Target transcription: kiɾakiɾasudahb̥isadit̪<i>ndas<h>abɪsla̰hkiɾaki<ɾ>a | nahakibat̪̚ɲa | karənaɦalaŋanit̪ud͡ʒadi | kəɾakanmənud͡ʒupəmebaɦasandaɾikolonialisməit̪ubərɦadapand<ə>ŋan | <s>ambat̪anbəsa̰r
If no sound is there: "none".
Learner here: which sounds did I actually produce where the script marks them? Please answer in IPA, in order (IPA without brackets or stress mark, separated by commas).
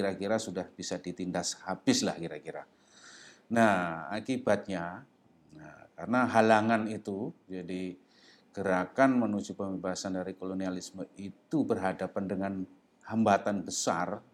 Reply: i, h, ɾ, ə, h